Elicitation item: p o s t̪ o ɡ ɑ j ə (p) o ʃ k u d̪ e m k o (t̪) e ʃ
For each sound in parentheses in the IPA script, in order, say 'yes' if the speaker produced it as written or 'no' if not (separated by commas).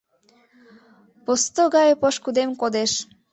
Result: yes, no